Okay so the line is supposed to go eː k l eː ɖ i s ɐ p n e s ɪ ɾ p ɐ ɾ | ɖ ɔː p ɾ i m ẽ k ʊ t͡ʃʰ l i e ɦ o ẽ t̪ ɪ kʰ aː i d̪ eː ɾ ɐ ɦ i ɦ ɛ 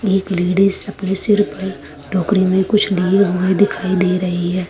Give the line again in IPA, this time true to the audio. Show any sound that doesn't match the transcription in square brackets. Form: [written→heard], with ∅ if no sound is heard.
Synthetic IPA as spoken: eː k l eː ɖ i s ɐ p n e s ɪ ɾ p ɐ ɾ | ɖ ɔː [p→k] ɾ i m ẽ k ʊ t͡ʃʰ l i e ɦ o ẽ [t̪→d̪] ɪ kʰ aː i d̪ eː ɾ ɐ ɦ i ɦ [ɛ→ɛː]